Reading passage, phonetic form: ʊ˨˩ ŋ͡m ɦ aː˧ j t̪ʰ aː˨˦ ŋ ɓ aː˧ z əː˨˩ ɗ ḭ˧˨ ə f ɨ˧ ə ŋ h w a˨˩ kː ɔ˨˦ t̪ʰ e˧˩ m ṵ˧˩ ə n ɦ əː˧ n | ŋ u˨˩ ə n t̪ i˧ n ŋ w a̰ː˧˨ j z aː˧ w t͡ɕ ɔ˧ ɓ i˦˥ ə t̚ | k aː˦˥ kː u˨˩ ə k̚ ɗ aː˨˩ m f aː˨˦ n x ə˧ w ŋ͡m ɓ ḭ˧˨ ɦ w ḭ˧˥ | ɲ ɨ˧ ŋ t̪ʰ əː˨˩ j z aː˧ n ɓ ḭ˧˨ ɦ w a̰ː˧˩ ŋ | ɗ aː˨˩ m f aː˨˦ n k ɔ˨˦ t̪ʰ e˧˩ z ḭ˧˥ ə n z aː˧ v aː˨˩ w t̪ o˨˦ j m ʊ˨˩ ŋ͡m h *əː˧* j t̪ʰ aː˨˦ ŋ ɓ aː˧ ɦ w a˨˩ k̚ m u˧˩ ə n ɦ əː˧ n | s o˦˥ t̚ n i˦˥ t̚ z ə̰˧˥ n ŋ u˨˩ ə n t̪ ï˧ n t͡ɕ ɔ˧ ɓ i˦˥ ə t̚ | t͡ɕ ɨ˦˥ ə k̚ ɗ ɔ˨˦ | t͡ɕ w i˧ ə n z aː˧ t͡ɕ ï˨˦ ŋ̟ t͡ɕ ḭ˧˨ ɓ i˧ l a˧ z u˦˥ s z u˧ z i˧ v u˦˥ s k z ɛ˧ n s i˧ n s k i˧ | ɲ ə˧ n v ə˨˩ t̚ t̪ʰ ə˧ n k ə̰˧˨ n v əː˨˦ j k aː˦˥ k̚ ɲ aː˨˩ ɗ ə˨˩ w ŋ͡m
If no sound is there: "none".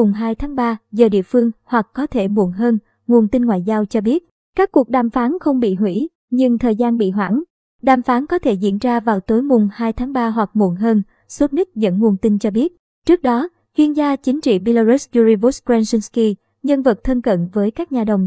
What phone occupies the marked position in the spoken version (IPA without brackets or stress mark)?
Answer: aː˧